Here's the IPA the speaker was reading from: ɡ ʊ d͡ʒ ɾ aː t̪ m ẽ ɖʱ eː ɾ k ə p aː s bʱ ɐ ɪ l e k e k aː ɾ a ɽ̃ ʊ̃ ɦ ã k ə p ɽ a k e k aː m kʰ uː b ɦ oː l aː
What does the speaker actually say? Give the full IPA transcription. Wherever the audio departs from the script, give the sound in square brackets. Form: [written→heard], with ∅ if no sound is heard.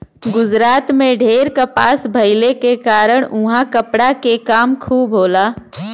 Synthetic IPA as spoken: ɡ ʊ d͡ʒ ɾ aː t̪ m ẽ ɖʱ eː ɾ k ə p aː s bʱ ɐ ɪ l e k e k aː ɾ [a→ə] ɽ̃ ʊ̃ ɦ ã k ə p ɽ a k e k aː m kʰ uː b ɦ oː l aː